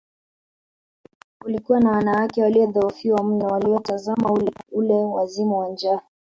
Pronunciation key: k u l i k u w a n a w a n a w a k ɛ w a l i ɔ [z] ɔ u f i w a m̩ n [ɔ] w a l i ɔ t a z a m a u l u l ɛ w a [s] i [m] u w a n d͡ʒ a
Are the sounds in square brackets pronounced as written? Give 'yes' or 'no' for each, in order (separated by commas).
no, yes, no, yes